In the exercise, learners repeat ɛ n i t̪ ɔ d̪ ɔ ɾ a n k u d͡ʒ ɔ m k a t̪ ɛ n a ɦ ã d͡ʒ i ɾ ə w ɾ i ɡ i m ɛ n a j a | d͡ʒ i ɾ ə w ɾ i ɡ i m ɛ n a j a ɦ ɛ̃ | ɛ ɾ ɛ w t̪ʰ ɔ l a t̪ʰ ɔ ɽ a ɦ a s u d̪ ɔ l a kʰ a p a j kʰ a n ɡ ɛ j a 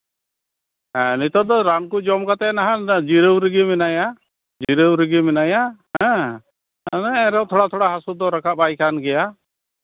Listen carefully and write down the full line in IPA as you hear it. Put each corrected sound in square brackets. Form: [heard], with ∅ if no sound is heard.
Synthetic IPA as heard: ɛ n i t̪ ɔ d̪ ɔ ɾ a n k u d͡ʒ ɔ m k a t̪ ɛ n a ɦ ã d͡ʒ i ɾ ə w ɾ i ɡ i m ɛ n a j a | d͡ʒ i ɾ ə w ɾ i ɡ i m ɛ n a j a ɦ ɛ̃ | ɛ ɾ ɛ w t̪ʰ ɔ [ɽ] a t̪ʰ ɔ ɽ a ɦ a s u d̪ ɔ [ɾ] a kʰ a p a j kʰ a n ɡ ɛ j a